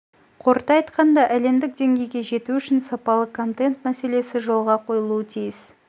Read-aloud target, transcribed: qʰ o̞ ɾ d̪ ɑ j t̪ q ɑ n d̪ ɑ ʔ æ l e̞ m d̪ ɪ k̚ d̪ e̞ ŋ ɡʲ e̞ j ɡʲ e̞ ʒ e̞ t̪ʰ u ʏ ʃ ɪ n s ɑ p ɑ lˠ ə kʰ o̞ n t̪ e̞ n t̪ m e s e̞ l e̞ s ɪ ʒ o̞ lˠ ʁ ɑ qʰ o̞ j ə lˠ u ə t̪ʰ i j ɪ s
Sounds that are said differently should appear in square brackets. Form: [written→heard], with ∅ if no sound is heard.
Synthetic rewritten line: qʰ o̞ ɾ [d̪→t̪] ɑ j t̪ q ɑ n d̪ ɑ ʔ æ l e̞ m d̪ ɪ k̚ d̪ e̞ ŋ ɡʲ e̞ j ɡʲ e̞ ʒ e̞ [t̪ʰ→t̪] u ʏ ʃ ɪ n s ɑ p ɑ lˠ ə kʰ o̞ n t̪ e̞ n t̪ m [e→æ] s e̞ l e̞ s ɪ ʒ o̞ lˠ ʁ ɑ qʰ o̞ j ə lˠ u ə t̪ʰ i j ɪ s